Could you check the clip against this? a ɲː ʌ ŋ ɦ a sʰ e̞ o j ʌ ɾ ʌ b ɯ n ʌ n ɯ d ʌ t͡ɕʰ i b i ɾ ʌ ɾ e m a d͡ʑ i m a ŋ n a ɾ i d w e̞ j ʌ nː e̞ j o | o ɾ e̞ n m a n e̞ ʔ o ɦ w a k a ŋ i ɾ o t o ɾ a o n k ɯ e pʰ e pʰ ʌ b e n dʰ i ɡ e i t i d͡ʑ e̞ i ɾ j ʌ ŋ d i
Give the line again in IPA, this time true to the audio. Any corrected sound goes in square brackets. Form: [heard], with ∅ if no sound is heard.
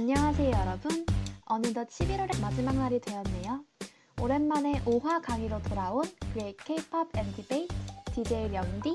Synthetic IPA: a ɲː ʌ ŋ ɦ a sʰ e̞ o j ʌ ɾ ʌ b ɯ n ʌ n ɯ d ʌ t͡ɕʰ i b i ɾ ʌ ɾ e m a d͡ʑ i m a ŋ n a ɾ i d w e̞ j ʌ nː e̞ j o | o ɾ e̞ n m a n e̞ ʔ o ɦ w a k a ŋ i ɾ o t o ɾ a o n k ɯ e [kʰ] e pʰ ʌ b e n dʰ i [b] e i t i d͡ʑ e̞ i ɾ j ʌ ŋ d i